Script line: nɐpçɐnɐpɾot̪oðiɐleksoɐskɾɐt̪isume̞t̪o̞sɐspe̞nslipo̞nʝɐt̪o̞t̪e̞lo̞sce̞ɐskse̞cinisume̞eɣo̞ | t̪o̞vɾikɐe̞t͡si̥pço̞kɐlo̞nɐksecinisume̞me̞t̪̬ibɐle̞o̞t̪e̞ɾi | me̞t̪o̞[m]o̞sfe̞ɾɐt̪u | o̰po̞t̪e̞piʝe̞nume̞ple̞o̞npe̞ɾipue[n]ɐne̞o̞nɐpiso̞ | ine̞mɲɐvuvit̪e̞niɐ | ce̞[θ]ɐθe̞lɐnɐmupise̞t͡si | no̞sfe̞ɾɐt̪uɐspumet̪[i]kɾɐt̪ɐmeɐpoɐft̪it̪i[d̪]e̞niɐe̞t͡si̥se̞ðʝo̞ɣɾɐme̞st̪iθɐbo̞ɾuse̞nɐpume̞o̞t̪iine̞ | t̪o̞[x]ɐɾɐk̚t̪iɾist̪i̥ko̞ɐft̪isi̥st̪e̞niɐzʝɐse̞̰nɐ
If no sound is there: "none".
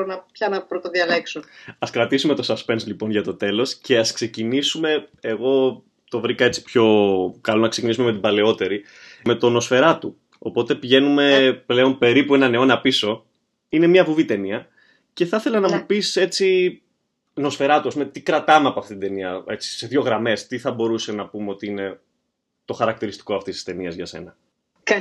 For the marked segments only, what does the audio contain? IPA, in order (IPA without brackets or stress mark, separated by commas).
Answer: n, n, θ, i, d̪, x